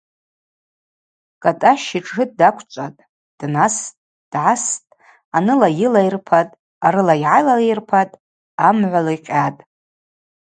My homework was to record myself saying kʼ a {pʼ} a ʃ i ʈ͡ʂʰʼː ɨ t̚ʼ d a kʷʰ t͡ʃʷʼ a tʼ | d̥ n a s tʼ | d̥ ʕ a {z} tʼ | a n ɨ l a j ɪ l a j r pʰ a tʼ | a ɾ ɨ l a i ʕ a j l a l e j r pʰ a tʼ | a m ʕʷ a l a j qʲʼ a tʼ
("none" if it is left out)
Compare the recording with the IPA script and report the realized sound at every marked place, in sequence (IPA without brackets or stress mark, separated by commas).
tʼ, s